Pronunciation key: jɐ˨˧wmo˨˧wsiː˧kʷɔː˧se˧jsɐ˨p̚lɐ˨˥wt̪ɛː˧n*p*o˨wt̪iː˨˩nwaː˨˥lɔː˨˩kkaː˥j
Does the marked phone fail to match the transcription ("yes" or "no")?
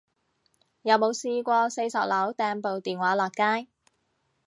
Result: no